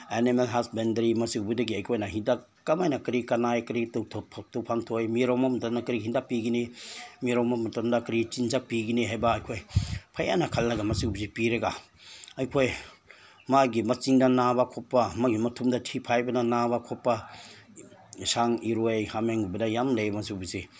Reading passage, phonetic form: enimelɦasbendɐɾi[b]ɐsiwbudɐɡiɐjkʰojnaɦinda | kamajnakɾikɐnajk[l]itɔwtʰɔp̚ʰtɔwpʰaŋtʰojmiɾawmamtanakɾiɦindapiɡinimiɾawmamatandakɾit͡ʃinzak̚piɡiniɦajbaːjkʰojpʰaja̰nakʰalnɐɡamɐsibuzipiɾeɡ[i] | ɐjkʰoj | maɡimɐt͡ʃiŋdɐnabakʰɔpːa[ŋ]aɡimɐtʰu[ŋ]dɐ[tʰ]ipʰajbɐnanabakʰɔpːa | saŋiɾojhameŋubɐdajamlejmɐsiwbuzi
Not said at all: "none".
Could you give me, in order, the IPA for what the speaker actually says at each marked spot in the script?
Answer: m, ɾ, a, m, m, tʰ

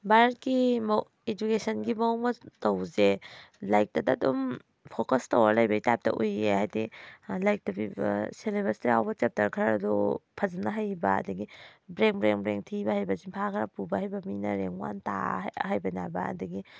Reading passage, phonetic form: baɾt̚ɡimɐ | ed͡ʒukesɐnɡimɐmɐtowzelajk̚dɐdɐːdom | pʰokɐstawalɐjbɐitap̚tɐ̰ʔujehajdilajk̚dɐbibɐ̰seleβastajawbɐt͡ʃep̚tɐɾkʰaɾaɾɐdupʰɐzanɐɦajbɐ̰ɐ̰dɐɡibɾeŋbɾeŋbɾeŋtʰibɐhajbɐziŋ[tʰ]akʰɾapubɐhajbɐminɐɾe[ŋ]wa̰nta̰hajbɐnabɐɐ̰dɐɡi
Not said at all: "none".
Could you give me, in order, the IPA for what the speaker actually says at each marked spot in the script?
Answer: pʰ, ŋ

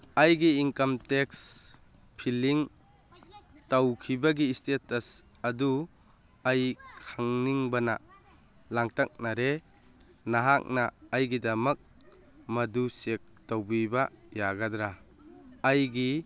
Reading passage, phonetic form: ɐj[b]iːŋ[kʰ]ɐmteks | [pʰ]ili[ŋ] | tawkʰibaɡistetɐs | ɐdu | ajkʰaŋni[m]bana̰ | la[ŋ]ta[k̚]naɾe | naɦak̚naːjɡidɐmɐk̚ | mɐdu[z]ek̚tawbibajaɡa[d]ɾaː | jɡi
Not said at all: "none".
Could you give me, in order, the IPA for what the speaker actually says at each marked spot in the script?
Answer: ɡ, k, pʰ, ŋ, ŋ, ŋ, k̚, s, d

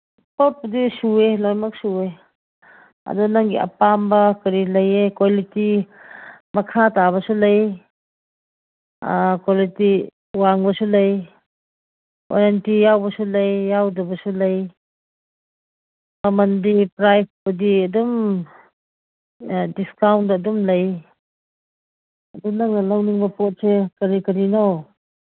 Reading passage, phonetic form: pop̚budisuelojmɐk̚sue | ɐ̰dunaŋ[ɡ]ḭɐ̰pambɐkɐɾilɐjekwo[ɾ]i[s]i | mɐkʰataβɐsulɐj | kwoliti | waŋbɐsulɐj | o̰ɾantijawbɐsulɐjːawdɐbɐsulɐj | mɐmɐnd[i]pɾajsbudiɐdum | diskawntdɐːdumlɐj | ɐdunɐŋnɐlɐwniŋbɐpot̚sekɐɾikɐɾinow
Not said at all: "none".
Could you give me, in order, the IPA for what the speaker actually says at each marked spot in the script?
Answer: ɡ, l, t, i

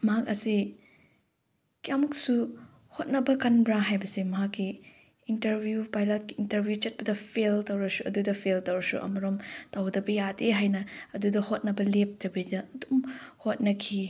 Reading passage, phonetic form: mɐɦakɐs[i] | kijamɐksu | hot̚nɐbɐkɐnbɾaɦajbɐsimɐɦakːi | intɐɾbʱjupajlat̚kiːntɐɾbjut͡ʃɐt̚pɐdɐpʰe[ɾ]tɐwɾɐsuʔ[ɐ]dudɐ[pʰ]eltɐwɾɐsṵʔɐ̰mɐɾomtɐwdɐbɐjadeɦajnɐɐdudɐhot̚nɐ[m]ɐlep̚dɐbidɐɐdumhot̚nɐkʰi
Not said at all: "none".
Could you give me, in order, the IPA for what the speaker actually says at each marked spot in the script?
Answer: i, l, ɐ, pʰ, b

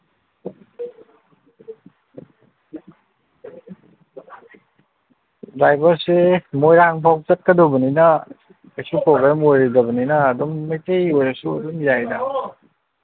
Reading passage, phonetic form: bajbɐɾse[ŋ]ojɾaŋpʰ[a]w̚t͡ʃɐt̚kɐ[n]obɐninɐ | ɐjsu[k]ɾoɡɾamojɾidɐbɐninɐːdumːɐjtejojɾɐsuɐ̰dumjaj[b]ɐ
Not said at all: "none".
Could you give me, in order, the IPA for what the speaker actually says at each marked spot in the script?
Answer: m, a, d, p, d

